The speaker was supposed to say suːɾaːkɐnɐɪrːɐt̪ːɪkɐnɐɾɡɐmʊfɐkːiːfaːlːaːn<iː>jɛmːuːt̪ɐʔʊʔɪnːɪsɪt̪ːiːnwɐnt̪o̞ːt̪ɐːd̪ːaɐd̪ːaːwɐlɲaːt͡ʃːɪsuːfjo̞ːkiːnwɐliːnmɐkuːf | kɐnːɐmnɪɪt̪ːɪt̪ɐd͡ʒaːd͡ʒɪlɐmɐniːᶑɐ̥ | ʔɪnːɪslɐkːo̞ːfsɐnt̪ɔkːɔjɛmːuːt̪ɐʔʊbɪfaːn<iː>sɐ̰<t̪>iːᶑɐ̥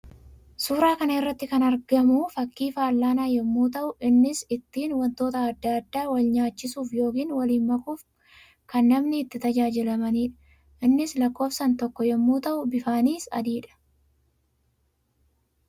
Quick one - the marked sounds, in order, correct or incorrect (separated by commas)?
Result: incorrect, correct, incorrect